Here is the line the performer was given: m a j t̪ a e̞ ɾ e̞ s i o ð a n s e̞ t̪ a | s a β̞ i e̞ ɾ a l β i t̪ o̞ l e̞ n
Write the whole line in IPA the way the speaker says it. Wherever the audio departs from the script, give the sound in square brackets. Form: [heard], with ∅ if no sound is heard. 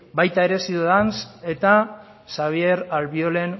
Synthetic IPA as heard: [b] a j t̪ a e̞ ɾ e̞ s i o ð a n s e̞ t̪ a | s a β̞ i e̞ ɾ a l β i [∅] o̞ l e̞ n